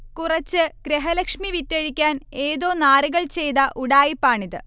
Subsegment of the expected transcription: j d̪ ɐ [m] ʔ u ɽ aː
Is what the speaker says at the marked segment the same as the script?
no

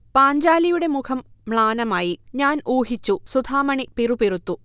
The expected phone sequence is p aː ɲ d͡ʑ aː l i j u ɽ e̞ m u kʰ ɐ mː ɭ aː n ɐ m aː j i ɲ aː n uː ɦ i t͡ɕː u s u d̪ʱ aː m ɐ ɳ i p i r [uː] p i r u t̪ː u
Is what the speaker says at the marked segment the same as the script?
no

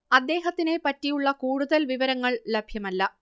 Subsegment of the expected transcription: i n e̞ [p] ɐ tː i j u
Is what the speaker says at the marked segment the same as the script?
yes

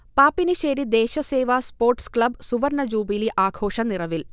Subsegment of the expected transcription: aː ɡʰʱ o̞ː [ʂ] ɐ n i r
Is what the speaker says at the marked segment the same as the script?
yes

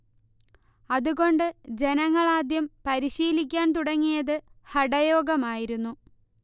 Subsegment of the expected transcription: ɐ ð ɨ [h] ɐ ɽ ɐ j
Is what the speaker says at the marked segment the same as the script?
yes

